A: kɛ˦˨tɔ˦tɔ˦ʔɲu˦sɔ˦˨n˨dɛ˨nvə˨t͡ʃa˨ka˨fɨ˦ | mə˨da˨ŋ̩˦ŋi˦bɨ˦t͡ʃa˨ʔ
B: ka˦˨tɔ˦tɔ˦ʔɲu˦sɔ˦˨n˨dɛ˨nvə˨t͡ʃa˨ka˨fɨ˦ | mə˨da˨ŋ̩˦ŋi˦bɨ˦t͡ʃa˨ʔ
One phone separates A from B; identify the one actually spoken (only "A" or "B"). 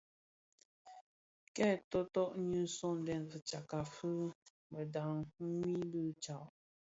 A